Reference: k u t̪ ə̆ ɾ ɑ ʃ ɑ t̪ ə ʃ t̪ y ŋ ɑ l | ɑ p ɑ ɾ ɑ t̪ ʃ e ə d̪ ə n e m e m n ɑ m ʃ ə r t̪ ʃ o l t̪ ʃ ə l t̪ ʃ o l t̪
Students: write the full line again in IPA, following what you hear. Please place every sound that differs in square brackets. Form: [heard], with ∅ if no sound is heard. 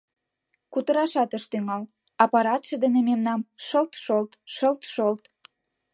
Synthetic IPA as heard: k u t̪ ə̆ ɾ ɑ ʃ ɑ t̪ ə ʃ t̪ y ŋ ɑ l | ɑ p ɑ ɾ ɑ t̪ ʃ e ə d̪ ə n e m e m n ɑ m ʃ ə [l] t̪ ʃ o l t̪ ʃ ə l t̪ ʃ o l t̪

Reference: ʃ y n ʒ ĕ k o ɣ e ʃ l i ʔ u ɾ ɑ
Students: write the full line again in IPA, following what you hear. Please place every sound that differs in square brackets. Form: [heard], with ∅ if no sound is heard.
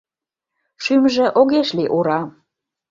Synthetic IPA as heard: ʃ y [m] ʒ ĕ [ʔ] o ɣ e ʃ l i ʔ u ɾ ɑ

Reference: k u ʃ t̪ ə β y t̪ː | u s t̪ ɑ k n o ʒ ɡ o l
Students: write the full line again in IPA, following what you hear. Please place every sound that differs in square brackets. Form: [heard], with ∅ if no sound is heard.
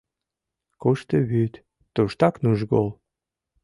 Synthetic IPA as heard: k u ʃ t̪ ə β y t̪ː | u [ʃ] t̪ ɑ k n [u] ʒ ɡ o l

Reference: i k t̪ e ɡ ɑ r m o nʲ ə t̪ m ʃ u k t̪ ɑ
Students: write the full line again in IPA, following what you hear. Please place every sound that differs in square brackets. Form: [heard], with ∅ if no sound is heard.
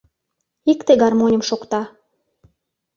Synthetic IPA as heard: i k t̪ e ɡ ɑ r m o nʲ ə [∅] m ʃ [o] k t̪ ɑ

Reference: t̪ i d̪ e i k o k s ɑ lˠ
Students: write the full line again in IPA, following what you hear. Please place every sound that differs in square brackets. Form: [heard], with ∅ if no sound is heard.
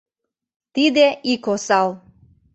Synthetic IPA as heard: t̪ i d̪ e i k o [∅] s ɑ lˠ

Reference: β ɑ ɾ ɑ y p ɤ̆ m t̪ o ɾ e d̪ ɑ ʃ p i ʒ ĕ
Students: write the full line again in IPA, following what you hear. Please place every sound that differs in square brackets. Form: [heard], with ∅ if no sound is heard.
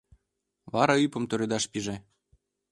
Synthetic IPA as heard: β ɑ ɾ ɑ y p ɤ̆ m t̪ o ɾ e d̪ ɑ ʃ p i ʒ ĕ

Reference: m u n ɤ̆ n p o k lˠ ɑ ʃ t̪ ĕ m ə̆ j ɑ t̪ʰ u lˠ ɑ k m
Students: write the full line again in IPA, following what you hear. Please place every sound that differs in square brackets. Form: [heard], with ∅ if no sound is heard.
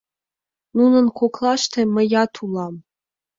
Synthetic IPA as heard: [n] u n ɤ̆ n [k] o k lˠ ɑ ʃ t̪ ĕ m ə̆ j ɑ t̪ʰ u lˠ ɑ [∅] m

